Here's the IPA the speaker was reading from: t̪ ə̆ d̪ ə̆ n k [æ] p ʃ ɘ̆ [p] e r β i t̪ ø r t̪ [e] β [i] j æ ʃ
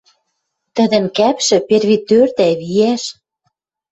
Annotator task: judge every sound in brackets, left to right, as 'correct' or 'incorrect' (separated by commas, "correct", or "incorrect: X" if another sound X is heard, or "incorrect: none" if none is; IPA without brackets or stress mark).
correct, correct, incorrect: æ, correct